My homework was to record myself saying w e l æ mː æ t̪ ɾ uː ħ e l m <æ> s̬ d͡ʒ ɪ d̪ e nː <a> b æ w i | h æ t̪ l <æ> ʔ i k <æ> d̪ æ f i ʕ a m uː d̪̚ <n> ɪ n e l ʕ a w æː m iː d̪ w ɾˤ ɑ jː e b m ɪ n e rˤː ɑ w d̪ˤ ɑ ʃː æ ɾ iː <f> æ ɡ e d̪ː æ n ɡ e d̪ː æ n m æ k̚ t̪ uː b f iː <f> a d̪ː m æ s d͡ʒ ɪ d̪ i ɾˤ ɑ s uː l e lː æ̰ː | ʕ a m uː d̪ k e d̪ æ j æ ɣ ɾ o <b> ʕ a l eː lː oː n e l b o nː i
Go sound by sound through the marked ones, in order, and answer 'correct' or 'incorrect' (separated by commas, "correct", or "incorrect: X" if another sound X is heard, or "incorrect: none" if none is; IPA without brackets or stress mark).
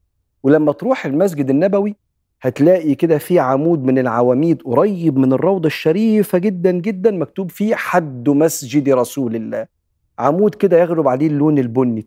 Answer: correct, incorrect: æ, incorrect: æː, incorrect: e, incorrect: m, correct, incorrect: ħ, correct